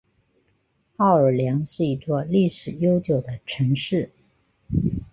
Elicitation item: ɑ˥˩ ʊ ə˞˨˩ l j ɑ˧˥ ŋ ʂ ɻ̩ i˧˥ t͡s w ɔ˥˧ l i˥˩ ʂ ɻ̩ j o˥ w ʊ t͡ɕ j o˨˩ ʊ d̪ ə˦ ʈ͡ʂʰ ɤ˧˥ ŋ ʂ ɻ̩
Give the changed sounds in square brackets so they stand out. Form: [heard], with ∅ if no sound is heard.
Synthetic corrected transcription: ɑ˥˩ ʊ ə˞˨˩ l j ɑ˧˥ ŋ ʂ ɻ̩ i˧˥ t͡s w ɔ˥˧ l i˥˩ ʂ ɻ̩ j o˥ [∅] ʊ t͡ɕ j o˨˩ ʊ d̪ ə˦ ʈ͡ʂʰ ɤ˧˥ ŋ ʂ ɻ̩